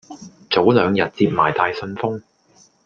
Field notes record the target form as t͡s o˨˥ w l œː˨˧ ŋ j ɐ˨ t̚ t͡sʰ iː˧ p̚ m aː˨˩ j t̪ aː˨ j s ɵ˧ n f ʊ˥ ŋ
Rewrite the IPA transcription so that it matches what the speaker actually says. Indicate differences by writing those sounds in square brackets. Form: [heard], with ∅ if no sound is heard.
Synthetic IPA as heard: t͡s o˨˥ w l œː˨˧ ŋ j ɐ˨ t̚ [t͡s] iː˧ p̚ m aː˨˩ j t̪ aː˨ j s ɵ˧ n f ʊ˥ ŋ

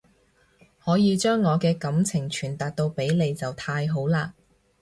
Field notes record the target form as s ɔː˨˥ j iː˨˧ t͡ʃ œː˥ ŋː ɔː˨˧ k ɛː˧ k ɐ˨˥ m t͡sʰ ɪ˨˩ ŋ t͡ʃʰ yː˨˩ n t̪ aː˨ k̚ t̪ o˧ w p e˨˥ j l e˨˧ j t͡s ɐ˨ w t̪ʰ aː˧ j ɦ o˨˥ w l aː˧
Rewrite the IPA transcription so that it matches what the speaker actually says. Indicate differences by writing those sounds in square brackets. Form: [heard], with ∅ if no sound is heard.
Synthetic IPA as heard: [h] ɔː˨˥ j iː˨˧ t͡ʃ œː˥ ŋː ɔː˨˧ k ɛː˧ k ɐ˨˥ m t͡sʰ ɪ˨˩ ŋ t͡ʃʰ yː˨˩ n t̪ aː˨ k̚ t̪ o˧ w p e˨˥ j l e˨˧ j t͡s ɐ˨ w t̪ʰ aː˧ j ɦ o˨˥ w l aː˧

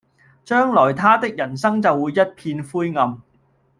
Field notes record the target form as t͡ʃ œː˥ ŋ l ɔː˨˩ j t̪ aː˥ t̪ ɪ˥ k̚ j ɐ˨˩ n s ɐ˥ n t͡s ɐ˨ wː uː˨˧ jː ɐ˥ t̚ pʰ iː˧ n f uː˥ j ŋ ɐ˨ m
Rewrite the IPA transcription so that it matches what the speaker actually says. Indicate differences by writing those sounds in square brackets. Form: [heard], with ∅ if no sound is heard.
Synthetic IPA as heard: t͡ʃ œː˥ ŋ l ɔː˨˩ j [t̪ʰ] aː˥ t̪ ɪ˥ k̚ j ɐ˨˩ n s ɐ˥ [ŋ] t͡s ɐ˨ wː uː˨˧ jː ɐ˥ t̚ pʰ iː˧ n f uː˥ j ŋ ɐ˨ m

